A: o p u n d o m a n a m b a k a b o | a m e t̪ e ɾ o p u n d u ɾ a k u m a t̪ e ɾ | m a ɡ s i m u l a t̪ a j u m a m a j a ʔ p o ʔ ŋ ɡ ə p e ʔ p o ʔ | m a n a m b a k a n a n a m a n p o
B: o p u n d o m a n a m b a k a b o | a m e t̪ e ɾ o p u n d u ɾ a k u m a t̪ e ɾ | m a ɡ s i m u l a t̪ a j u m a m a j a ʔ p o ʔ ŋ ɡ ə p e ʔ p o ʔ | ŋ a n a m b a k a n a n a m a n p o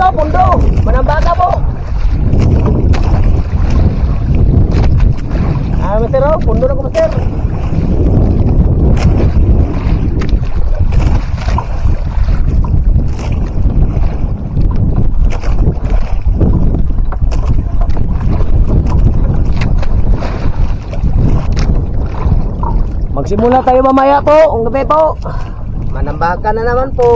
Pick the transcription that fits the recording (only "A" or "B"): A